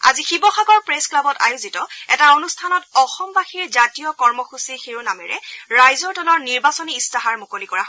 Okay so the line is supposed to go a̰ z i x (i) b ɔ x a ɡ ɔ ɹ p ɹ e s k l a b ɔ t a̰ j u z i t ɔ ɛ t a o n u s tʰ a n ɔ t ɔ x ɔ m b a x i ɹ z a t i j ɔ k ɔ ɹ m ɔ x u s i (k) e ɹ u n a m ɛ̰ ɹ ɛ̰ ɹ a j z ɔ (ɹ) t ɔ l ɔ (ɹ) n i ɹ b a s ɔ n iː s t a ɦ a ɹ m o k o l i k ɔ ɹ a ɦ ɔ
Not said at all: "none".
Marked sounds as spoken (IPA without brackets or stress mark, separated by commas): i, x, ɹ, ɹ